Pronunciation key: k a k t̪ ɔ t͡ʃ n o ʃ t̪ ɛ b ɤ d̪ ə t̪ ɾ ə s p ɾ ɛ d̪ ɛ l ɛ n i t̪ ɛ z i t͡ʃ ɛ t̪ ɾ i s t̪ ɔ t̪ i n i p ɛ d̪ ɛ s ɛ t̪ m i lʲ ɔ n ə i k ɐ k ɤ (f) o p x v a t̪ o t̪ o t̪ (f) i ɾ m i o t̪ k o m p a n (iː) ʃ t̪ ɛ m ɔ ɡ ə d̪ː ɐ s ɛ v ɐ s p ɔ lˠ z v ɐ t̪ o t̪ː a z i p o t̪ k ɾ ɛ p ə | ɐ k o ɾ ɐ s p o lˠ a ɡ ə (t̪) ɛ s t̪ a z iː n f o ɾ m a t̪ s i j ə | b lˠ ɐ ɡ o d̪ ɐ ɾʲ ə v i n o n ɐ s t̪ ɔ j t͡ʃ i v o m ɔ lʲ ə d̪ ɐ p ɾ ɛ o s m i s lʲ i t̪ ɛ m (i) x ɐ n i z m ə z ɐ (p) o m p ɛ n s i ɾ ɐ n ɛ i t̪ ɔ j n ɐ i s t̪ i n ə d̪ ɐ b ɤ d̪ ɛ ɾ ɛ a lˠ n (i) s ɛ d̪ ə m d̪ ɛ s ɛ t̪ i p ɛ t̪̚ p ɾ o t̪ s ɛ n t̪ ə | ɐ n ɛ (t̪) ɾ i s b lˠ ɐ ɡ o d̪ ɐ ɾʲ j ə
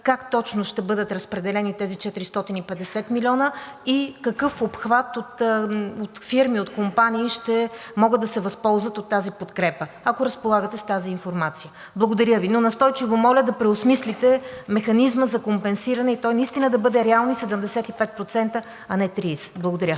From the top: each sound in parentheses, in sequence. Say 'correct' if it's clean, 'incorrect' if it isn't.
correct, correct, correct, correct, incorrect: ɛ, incorrect: k, correct, correct

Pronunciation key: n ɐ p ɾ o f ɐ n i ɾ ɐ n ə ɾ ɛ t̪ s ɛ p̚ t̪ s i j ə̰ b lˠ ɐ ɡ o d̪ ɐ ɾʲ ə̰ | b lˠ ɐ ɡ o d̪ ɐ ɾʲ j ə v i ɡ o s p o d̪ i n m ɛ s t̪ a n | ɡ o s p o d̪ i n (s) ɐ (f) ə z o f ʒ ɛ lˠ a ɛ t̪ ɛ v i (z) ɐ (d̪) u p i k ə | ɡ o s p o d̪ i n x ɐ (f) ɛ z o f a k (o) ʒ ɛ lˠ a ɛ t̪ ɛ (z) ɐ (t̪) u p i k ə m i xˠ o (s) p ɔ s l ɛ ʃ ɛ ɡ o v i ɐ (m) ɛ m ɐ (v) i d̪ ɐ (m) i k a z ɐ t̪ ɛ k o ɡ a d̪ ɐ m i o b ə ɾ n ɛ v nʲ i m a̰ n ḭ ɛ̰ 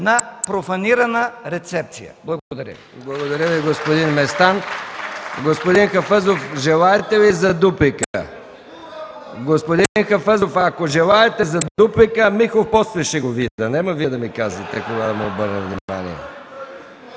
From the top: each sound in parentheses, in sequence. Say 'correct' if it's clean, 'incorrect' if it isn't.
incorrect: x, correct, correct, correct, correct, correct, correct, incorrect: d̪, incorrect: f, incorrect: n, correct, correct

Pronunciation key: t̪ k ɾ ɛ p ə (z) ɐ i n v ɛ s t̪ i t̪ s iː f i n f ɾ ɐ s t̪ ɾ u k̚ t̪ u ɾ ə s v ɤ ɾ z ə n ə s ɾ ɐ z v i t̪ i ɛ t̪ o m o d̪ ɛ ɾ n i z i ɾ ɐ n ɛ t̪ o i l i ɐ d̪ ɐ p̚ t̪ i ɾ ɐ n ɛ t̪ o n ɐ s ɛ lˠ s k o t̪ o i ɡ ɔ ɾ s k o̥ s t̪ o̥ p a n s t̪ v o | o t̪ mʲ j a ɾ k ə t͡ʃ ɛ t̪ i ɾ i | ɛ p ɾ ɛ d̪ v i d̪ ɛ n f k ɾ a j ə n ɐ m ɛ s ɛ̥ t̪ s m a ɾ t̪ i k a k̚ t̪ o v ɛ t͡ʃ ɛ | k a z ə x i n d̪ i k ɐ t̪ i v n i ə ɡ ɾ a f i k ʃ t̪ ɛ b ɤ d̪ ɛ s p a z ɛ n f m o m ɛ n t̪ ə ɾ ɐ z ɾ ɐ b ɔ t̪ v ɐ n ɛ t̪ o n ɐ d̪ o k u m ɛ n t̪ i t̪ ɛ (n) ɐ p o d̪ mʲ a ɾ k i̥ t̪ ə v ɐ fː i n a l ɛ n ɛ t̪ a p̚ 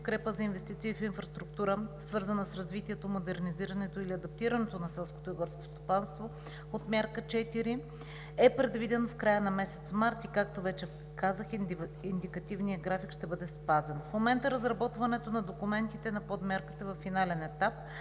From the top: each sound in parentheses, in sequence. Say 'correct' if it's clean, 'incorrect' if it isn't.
correct, correct

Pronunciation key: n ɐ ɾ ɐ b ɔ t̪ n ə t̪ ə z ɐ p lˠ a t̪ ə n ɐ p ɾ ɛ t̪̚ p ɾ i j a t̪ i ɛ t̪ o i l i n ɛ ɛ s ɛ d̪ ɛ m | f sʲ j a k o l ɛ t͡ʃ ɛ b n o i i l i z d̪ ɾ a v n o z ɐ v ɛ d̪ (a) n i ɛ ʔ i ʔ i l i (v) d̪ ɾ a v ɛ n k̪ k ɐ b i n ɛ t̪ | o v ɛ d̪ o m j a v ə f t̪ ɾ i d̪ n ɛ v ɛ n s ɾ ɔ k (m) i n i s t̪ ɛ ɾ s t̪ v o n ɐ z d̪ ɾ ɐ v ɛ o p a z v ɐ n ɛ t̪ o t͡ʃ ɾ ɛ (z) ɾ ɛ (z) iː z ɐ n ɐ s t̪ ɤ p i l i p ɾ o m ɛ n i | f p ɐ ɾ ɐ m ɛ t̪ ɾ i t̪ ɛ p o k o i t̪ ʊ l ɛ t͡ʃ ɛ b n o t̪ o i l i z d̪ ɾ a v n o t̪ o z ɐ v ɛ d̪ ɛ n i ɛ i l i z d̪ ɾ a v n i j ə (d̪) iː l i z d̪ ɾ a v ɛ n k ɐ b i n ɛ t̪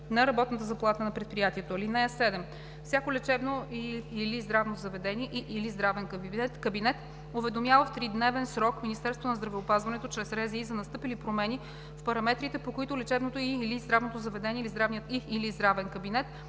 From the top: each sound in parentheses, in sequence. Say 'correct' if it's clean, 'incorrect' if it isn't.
incorrect: ɛ, incorrect: z, correct, incorrect: s, correct, incorrect: t̪

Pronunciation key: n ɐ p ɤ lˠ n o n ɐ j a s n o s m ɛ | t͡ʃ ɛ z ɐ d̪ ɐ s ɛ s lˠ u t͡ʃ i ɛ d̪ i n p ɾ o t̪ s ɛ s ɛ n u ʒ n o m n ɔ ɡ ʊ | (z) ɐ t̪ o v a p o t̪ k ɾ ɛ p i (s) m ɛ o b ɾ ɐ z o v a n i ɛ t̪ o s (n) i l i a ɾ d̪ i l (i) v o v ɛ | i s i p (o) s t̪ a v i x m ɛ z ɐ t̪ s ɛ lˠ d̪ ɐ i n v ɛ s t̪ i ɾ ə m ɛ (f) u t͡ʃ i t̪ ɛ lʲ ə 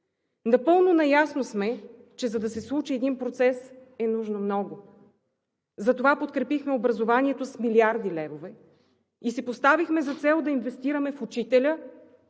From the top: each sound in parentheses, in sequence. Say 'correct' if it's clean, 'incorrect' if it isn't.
correct, incorrect: x, incorrect: m, incorrect: ɛ, correct, correct

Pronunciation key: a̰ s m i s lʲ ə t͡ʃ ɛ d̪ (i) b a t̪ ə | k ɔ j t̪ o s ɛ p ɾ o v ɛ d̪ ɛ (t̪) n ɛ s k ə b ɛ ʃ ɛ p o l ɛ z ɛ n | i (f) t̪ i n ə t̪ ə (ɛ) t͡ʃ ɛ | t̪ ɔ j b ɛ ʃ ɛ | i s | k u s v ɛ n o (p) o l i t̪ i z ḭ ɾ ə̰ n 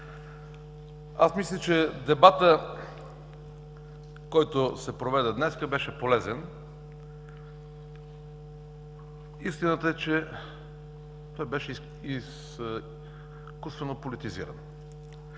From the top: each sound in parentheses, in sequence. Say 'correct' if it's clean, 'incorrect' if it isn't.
incorrect: ɛ, incorrect: d̪, incorrect: s, correct, correct

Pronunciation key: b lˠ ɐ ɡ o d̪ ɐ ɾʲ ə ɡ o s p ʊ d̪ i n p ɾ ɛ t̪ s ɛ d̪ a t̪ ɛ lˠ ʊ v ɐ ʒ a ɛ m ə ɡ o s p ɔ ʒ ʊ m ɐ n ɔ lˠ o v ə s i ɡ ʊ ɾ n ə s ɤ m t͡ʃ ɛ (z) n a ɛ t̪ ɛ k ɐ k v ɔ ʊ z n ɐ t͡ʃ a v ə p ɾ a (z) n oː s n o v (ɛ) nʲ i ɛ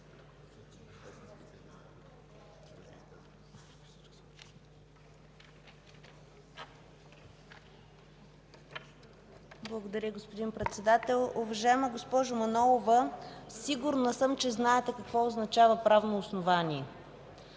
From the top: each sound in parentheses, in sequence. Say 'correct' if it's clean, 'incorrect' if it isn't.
correct, incorrect: v, incorrect: a

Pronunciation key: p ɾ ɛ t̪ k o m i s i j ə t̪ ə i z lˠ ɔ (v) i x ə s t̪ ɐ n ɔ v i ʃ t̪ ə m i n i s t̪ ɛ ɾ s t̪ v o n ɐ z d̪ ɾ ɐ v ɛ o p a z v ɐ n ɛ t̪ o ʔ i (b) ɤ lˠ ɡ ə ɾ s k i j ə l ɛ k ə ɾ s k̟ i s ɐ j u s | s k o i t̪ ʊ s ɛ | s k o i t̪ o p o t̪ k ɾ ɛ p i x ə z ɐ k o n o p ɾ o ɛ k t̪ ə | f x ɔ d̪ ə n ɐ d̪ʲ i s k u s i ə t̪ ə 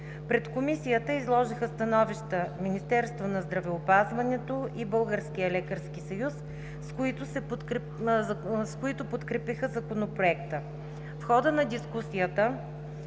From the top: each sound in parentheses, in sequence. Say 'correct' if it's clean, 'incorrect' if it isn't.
incorrect: ʒ, correct

